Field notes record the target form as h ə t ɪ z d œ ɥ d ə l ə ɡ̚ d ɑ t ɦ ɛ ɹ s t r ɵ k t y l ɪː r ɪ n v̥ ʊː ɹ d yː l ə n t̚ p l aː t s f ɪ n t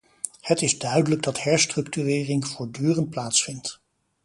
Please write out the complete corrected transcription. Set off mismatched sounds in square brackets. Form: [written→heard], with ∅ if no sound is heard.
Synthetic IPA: h ə t ɪ z d œ ɥ d ə l ə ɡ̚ d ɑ t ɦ ɛ ɹ s t r ɵ k t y [l→r] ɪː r ɪ [n→ŋ] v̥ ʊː ɹ d yː [l→r] ə n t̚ p l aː t s f ɪ n t

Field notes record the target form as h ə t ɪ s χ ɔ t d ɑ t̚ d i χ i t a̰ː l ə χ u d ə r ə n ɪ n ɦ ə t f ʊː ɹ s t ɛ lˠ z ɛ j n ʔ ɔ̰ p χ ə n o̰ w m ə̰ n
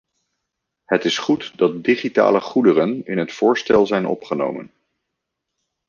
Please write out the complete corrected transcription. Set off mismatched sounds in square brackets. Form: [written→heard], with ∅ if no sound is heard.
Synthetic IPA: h ə t ɪ s χ [ɔ→u] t d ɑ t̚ d i χ i t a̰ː l ə χ u d ə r ə n ɪ n ɦ ə t f ʊː ɹ s t ɛ lˠ z ɛ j n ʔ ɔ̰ p χ ə n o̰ w m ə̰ n

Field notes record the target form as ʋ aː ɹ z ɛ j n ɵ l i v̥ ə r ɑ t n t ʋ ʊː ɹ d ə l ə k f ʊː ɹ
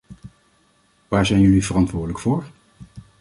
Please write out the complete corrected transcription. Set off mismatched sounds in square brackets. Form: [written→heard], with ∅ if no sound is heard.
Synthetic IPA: ʋ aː ɹ z ɛ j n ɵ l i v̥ ə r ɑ [t→∅] n t ʋ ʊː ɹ d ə l ə k f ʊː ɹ

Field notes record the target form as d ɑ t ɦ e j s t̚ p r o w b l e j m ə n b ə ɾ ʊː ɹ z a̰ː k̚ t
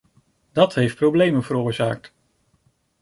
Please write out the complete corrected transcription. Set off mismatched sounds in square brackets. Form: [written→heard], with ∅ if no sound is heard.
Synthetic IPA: d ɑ t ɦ e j [s→f] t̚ p r o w b l e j m ə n [b→v] ə ɾ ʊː ɹ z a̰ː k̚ t

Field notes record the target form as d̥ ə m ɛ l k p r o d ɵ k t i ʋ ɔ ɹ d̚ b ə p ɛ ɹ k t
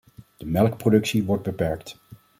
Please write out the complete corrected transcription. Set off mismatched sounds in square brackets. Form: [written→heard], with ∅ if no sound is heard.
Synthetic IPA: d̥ ə m ɛ l k p r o d ɵ k [t→s] i ʋ ɔ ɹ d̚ b ə p ɛ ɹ k t

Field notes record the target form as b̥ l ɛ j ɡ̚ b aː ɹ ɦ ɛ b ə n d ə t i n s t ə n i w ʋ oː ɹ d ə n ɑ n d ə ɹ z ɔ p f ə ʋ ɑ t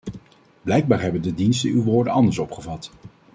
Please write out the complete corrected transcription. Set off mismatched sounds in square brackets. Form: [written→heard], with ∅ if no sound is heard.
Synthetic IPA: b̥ l ɛ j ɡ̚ b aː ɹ ɦ ɛ b ə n d ə [t→d] i n s t ə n [i→y] w ʋ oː ɹ d ə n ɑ n d ə ɹ [z→s] ɔ p [f→χ] ə [ʋ→v] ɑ t

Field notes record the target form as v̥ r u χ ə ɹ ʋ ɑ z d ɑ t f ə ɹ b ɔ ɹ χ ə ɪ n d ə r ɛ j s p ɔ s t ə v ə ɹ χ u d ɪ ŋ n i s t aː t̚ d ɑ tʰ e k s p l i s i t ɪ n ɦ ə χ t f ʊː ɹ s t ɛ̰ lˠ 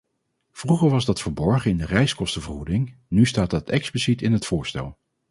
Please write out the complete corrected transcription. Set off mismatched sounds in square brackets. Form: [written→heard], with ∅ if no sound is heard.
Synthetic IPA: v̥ r u χ ə ɹ ʋ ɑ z d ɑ t f ə ɹ b ɔ ɹ χ ə ɪ n d ə r ɛ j s [p→k] ɔ s t ə v ə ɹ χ u d ɪ ŋ n [i→y] s t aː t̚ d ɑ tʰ [e→ɛ] k s p l i s i t ɪ n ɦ ə [χ→∅] t f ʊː ɹ s t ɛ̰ lˠ

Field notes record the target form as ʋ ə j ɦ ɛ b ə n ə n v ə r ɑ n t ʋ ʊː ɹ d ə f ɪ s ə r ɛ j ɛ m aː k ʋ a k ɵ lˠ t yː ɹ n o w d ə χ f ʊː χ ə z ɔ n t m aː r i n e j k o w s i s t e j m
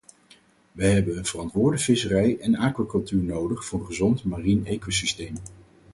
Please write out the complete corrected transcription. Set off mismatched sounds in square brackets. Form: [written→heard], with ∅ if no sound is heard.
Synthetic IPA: ʋ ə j ɦ ɛ b ə n ə n v ə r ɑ n t ʋ ʊː ɹ d ə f ɪ s ə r ɛ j ɛ [m→n] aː k ʋ a k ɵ lˠ t yː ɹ n o w d ə χ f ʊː χ ə z ɔ n t m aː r i n e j k o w s i s t e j m

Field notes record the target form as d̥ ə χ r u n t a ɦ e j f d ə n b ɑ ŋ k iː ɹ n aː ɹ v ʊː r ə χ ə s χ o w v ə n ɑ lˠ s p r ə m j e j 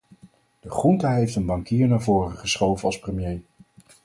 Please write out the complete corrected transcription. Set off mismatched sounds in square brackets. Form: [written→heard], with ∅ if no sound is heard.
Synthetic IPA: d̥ ə χ r u n t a ɦ e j f [d→t] ə n b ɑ ŋ k iː ɹ n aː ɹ v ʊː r ə χ ə s χ o w v ə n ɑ lˠ s p r ə m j e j

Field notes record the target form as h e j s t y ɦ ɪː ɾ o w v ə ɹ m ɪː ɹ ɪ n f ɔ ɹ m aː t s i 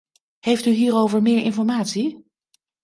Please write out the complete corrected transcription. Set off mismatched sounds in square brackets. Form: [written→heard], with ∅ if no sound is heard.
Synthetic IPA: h e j [s→f] t y ɦ [ɪː→iː] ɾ o w v ə ɹ m ɪː ɹ ɪ n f ɔ ɹ m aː t s i

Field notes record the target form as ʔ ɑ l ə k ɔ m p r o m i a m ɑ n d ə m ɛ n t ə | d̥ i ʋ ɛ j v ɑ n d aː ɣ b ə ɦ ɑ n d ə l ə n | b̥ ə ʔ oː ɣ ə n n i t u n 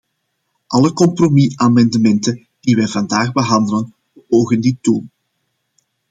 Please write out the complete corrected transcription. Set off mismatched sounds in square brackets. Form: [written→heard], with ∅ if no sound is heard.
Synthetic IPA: ʔ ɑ l ə k ɔ m p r o m i a m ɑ n d ə m ɛ n t ə | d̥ i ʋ ɛ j v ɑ n d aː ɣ b ə ɦ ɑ n d ə l ə n | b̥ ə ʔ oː ɣ ə n [n→d] i t u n

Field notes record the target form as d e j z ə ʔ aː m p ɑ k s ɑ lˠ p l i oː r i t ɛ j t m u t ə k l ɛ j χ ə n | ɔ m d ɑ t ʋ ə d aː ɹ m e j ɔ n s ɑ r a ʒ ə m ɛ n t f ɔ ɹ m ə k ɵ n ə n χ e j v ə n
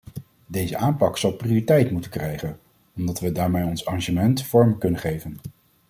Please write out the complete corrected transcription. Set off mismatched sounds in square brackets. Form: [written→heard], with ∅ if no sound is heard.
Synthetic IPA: d e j z ə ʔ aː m p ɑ k s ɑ lˠ p [l→r] i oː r i t ɛ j t m u t ə k [l→r] ɛ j χ ə n | ɔ m d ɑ t ʋ ə d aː ɹ m e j ɔ n s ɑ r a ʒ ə m ɛ n t f ɔ ɹ m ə k ɵ n ə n χ e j v ə n

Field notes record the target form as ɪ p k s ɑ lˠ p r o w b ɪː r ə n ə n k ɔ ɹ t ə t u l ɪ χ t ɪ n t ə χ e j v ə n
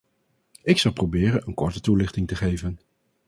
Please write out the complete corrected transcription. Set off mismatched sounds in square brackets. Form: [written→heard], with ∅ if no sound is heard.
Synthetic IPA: ɪ [p→∅] k s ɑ lˠ p r o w b ɪː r ə n ə n k ɔ ɹ t ə t u l ɪ χ t ɪ [n→ŋ] t ə χ e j v ə n

